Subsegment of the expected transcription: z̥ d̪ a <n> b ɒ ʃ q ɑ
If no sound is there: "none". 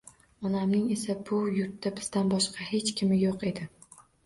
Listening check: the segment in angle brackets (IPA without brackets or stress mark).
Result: n